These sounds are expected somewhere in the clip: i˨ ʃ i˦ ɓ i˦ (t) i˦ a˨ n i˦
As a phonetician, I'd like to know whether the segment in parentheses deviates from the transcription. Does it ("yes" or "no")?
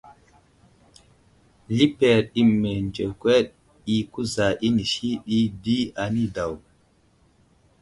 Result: yes